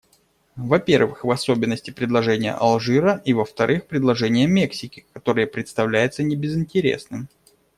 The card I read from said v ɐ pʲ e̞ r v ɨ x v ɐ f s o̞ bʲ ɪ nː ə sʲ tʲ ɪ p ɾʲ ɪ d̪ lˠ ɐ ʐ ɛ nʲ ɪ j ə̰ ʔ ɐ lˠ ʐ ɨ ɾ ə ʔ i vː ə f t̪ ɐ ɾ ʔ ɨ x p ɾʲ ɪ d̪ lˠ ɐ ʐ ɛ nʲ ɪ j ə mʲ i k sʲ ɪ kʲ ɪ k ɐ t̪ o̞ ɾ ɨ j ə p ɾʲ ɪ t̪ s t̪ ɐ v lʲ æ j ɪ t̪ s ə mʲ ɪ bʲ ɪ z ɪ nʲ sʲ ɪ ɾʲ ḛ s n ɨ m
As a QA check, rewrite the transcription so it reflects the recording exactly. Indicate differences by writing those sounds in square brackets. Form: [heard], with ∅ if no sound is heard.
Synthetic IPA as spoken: v ɐ pʲ e̞ r v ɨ x v ɐ [∅] s o̞ bʲ ɪ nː ə sʲ tʲ ɪ p ɾʲ ɪ d̪ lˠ ɐ ʐ ɛ nʲ ɪ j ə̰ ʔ ɐ lˠ ʐ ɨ ɾ ə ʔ i [v] ə f t̪ ɐ ɾ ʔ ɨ x p ɾʲ ɪ d̪ lˠ ɐ ʐ ɛ nʲ ɪ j ə mʲ [e] k sʲ ɪ kʲ ɪ k ɐ t̪ o̞ ɾ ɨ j ə p ɾʲ ɪ t̪ s t̪ ɐ v lʲ æ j ɪ t̪ s ə [nʲ] ɪ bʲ ɪ z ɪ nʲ [tʲ] ɪ ɾʲ ḛ s n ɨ m